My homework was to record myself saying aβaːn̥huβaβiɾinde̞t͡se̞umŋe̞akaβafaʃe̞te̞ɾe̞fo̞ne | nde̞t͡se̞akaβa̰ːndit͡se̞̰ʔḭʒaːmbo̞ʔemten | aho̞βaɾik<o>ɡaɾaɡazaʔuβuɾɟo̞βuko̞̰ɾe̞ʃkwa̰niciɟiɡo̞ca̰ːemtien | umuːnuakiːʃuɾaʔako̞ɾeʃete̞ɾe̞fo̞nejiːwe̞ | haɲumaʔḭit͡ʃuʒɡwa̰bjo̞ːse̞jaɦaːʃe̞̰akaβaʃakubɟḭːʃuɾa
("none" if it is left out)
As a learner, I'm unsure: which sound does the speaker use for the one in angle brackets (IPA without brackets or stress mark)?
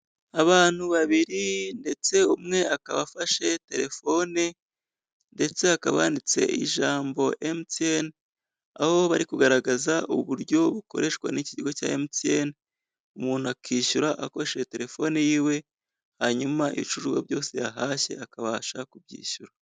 u